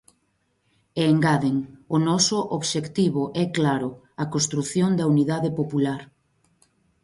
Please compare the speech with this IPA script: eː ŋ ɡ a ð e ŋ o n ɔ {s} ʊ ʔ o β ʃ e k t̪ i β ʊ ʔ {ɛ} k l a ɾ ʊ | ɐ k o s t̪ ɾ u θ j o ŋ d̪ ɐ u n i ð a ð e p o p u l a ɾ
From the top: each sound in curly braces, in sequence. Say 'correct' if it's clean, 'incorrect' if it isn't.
correct, correct

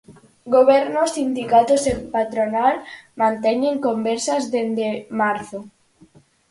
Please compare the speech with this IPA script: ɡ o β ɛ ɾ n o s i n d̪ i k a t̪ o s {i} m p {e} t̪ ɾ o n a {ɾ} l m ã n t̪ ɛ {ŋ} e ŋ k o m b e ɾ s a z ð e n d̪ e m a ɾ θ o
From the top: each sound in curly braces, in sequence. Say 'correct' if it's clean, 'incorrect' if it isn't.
incorrect: e, incorrect: a, incorrect: none, incorrect: ɲ

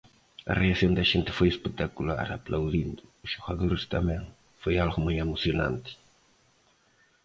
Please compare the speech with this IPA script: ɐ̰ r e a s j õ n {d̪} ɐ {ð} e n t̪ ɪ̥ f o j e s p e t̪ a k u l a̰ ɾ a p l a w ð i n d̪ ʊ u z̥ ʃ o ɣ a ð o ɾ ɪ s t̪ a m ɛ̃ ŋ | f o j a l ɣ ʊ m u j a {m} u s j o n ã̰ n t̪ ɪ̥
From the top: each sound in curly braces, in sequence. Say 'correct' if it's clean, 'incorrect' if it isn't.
correct, incorrect: ʒ, correct

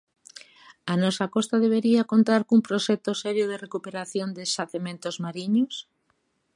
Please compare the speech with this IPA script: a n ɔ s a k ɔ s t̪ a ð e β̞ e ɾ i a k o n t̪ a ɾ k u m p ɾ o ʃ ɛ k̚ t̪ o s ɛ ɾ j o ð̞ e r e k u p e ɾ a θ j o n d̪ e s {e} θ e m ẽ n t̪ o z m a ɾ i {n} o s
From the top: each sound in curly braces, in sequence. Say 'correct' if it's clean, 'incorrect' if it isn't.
incorrect: a, incorrect: ɲ

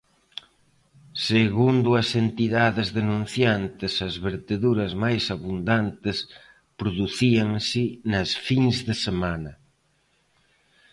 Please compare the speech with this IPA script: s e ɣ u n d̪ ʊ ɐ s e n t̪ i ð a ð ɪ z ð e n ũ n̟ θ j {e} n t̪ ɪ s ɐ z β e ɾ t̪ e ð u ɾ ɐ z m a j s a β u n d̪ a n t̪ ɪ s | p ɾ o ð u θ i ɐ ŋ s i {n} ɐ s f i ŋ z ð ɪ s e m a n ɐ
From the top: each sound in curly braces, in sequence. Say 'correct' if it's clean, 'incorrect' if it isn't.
incorrect: a, correct

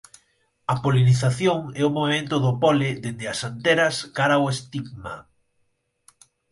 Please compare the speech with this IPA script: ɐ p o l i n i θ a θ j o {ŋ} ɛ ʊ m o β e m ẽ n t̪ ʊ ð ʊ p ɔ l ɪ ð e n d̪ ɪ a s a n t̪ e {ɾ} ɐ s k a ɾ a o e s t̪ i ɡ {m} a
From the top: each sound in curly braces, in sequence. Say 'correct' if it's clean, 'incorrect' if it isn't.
correct, correct, correct

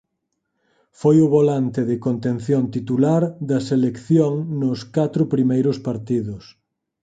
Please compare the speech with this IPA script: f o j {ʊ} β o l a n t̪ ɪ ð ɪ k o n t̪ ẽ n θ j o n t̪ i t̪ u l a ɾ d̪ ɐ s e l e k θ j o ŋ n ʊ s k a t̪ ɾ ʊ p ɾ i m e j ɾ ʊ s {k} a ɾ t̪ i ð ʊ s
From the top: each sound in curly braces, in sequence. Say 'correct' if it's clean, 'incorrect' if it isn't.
correct, incorrect: p

